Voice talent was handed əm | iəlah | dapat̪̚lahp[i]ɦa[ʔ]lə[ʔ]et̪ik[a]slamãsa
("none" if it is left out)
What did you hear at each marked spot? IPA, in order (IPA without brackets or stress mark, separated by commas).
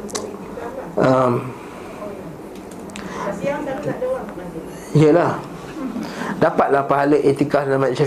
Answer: a, none, ʔ, a